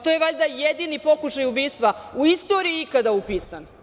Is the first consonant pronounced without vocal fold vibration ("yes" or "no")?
yes